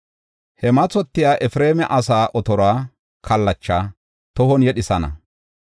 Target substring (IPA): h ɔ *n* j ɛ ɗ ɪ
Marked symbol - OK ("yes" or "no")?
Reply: yes